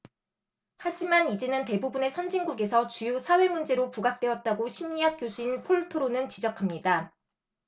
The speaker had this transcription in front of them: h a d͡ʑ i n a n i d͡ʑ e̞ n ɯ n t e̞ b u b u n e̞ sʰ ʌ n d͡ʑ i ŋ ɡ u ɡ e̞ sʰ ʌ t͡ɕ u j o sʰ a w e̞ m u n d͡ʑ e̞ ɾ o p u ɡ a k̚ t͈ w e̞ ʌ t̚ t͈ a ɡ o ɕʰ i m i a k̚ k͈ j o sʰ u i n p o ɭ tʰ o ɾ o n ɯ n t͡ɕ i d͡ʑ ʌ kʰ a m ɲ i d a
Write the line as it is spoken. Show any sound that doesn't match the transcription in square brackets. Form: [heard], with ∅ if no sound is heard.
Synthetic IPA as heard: h a d͡ʑ i [m] a n i d͡ʑ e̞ n ɯ n t e̞ b u b u n e̞ sʰ ʌ n d͡ʑ i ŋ ɡ u ɡ e̞ sʰ ʌ t͡ɕ u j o sʰ a w e̞ m u n d͡ʑ e̞ ɾ o p u ɡ a k̚ t͈ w e̞ ʌ t̚ t͈ a ɡ o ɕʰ i m i a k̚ k͈ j o sʰ u i n [pʰ] o ɭ tʰ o ɾ o n ɯ n t͡ɕ i d͡ʑ ʌ kʰ a m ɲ i d a